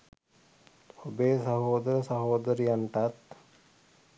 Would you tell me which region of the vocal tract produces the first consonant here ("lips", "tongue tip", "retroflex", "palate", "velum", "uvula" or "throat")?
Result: lips